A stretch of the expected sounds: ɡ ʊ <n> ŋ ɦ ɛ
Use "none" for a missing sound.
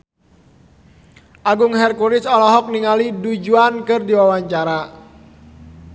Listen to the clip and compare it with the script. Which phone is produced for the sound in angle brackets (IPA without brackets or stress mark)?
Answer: none